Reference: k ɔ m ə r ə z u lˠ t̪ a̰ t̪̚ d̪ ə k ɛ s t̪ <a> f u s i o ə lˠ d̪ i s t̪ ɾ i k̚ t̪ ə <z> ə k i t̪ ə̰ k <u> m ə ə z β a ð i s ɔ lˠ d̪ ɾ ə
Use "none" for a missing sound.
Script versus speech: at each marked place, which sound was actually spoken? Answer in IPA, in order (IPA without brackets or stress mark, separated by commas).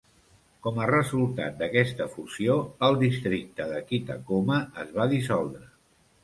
ə, ð, o